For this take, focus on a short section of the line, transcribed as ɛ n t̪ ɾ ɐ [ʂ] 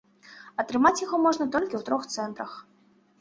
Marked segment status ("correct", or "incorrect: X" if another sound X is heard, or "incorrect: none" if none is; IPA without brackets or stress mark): incorrect: x